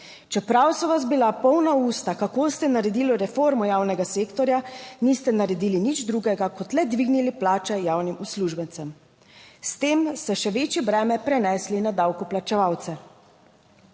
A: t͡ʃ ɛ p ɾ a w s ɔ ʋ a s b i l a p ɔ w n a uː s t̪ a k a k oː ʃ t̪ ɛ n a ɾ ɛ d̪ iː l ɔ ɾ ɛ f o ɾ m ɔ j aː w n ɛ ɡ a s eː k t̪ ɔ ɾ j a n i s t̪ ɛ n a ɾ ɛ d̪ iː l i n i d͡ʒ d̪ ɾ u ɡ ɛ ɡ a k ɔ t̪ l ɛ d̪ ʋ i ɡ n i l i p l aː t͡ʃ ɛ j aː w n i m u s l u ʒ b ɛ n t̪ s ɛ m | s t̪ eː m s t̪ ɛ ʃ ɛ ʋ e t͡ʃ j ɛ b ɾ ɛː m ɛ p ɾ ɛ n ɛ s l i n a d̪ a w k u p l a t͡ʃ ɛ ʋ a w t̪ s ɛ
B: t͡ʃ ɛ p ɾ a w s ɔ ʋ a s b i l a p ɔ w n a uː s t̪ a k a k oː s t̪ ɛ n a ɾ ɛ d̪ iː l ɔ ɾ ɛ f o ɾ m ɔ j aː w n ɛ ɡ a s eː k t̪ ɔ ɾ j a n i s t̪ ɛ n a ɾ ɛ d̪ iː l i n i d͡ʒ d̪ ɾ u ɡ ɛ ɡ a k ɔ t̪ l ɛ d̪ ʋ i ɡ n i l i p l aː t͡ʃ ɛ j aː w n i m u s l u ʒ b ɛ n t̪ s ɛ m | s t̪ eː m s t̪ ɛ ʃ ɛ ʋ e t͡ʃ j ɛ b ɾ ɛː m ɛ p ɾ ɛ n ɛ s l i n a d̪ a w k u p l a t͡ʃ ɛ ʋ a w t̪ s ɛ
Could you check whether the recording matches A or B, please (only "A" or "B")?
B